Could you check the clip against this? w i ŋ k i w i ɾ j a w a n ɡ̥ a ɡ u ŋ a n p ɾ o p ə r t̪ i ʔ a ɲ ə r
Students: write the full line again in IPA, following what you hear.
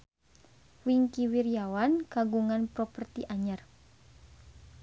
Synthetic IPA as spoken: w i ŋ k i w i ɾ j a w a n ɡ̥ a ɡ u ŋ a n p ɾ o p ə r t̪ i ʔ a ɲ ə r